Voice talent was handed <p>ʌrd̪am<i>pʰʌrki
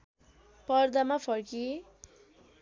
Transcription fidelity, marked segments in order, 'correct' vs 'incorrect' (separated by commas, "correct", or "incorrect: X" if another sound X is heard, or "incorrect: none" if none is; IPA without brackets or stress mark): correct, incorrect: a